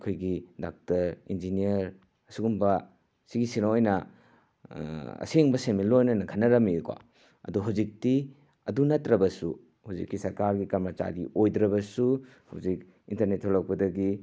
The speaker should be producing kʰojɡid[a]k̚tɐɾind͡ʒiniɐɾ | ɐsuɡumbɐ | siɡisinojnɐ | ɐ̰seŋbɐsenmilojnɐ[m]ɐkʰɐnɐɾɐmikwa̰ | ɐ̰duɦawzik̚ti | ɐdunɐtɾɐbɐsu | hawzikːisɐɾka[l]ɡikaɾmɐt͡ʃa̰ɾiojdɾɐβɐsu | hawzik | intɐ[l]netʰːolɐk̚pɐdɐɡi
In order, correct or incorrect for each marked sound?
correct, incorrect, incorrect, incorrect

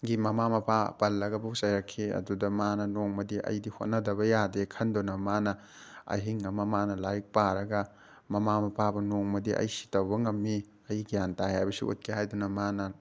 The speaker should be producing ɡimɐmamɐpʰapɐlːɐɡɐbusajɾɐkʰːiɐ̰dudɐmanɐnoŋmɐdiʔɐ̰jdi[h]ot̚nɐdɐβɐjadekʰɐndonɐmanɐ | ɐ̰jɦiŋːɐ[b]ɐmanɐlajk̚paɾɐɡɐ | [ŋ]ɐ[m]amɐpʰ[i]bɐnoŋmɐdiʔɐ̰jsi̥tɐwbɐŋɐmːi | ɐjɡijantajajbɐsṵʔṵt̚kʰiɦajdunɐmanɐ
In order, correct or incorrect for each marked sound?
correct, incorrect, incorrect, correct, incorrect

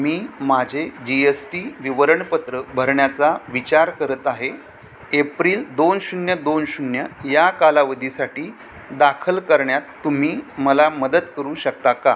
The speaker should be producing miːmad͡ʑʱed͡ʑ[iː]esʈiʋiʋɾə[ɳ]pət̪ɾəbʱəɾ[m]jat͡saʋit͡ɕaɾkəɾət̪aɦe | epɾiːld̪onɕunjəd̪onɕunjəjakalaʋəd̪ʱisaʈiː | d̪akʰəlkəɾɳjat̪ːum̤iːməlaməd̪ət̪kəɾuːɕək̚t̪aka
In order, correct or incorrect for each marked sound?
incorrect, correct, incorrect

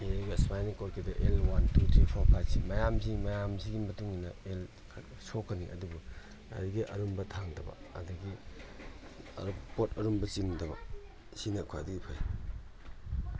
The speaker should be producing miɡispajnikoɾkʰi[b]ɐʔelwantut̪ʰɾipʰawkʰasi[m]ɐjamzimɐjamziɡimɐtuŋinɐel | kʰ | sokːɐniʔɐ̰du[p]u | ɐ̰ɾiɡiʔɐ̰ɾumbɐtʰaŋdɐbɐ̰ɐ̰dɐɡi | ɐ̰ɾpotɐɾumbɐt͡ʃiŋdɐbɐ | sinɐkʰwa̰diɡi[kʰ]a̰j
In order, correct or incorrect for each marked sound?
incorrect, correct, incorrect, incorrect

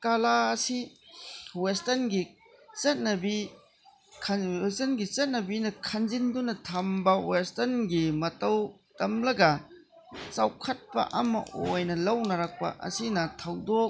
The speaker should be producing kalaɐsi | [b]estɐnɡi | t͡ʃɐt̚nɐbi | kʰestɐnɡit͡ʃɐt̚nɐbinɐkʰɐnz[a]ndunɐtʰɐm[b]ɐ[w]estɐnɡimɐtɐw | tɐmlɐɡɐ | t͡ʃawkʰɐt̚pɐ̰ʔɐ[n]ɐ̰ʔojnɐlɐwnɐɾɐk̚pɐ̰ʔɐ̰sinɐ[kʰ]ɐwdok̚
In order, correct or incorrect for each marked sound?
incorrect, incorrect, correct, correct, incorrect, incorrect

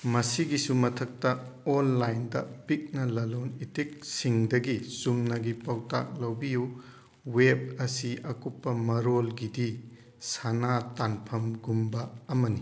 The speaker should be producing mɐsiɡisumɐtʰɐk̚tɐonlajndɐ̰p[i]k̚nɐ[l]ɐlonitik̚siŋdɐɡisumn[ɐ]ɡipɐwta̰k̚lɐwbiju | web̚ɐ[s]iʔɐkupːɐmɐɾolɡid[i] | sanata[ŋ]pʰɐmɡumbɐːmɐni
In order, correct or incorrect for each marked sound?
correct, correct, correct, correct, correct, incorrect

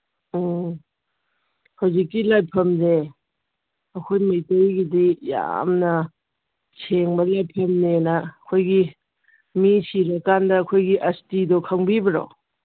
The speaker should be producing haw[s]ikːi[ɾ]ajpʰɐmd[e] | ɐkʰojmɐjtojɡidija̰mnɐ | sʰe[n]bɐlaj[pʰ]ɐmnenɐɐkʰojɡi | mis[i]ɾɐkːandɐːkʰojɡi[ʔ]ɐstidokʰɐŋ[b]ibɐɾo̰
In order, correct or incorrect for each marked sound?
incorrect, incorrect, correct, incorrect, correct, correct, correct, correct

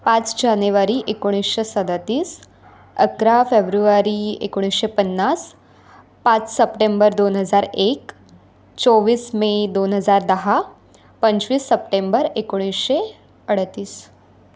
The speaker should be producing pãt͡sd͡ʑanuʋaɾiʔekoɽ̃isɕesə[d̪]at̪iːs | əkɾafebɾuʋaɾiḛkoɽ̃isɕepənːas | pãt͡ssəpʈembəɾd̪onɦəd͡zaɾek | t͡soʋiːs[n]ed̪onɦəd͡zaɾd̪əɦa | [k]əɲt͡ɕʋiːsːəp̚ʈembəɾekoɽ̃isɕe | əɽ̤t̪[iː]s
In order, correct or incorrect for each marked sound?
correct, incorrect, incorrect, correct

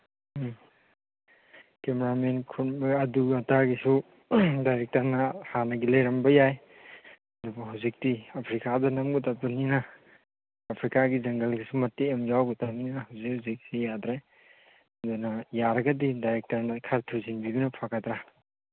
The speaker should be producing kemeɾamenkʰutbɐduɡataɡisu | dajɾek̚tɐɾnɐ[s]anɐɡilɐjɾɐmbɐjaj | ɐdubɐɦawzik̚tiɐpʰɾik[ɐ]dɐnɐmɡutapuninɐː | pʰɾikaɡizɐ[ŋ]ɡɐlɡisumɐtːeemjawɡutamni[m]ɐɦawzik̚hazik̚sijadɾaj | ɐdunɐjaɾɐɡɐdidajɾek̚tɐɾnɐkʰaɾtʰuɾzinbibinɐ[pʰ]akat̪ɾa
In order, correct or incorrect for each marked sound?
incorrect, incorrect, correct, incorrect, correct

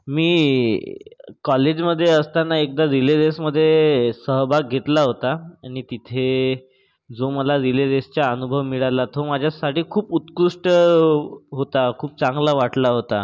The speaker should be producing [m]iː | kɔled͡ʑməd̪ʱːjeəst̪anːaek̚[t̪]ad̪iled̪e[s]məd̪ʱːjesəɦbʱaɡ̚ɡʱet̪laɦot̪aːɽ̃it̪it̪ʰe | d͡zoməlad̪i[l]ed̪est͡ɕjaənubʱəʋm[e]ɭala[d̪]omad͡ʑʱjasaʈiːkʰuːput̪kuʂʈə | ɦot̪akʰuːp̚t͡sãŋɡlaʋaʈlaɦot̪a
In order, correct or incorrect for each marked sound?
correct, incorrect, correct, correct, incorrect, incorrect

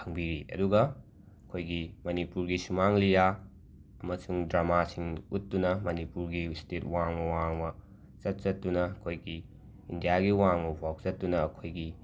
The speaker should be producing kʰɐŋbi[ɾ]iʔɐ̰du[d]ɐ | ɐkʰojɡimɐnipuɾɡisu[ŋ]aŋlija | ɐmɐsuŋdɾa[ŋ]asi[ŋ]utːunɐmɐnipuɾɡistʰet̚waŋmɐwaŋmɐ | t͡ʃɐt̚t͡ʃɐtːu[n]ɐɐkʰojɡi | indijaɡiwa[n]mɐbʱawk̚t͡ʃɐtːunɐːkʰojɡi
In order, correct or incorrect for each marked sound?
correct, incorrect, incorrect, incorrect, correct, correct, incorrect

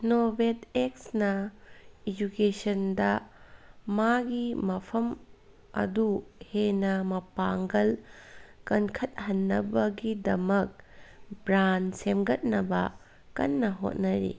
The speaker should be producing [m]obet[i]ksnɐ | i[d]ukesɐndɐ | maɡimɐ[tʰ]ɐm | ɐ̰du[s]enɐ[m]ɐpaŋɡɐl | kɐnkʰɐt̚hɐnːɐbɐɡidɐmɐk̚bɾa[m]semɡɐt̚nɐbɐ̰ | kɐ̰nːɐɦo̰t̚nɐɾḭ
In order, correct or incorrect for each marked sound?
incorrect, incorrect, incorrect, incorrect, incorrect, correct, incorrect

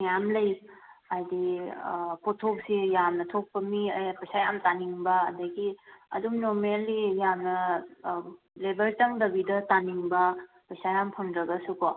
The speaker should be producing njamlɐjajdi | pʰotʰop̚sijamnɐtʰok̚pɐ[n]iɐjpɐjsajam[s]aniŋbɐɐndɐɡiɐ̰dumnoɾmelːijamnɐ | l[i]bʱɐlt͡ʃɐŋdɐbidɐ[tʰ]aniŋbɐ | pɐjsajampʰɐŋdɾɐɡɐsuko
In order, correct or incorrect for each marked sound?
incorrect, incorrect, incorrect, incorrect

